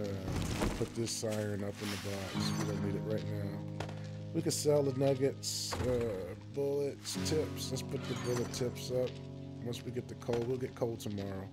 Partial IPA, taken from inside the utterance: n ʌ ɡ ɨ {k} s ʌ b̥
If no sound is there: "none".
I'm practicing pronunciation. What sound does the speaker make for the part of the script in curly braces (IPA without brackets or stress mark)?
t